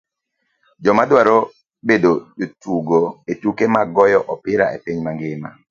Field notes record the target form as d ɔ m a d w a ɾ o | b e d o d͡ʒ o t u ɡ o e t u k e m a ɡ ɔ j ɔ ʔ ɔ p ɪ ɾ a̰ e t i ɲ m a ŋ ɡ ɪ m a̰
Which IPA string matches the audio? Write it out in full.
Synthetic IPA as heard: d͡ʒ ɔ m a d w a ɾ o | b e d o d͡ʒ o t u ɡ o e t u k e m a ɡ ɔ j ɔ ʔ ɔ p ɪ ɾ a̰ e p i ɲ m a ŋ ɡ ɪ m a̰